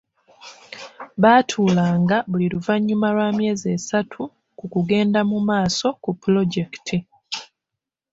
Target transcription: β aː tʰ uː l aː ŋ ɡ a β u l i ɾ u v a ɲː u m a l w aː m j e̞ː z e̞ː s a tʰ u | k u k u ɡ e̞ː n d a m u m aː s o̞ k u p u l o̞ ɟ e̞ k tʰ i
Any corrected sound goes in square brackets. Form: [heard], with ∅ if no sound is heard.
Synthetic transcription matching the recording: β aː tʰ uː l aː ŋ ɡ a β u l i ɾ u v a ɲː u m a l w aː m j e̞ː z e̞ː s a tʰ u | k u k u ɡ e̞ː n d a m u m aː s o̞ k u p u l o̞ ɟ e̞ k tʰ i